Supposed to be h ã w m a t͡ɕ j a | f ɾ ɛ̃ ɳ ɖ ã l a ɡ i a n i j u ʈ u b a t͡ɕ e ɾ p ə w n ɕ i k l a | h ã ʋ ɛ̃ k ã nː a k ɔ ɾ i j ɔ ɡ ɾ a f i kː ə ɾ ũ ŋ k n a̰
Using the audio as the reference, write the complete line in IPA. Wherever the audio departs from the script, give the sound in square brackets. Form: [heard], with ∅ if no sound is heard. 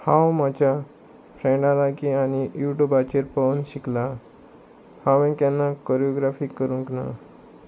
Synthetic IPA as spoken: h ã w m a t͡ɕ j a | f ɾ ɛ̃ ɳ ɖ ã l a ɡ i a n i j u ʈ u b a t͡ɕ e ɾ p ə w n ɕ i k l a | h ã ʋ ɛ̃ k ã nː a k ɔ ɾ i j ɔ ɡ ɾ a f i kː ə ɾ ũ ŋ k n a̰